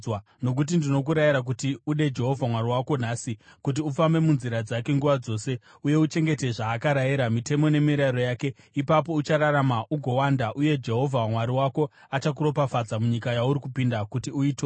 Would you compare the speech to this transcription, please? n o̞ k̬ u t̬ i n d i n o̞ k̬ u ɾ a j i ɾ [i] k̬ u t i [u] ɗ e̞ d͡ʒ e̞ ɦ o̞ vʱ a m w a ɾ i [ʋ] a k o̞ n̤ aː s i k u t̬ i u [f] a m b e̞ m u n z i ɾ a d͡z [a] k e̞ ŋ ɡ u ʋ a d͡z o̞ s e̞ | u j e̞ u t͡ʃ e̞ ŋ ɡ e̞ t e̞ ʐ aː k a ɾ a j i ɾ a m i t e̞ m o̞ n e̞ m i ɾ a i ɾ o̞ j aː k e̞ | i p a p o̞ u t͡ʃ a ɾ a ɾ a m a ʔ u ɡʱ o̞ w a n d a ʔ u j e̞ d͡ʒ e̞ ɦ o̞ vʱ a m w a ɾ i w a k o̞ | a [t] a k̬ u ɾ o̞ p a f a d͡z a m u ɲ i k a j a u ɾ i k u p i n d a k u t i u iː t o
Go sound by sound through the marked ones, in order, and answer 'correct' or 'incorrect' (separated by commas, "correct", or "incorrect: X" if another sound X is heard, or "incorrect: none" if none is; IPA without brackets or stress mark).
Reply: incorrect: a, correct, incorrect: w, correct, correct, incorrect: t͡ʃ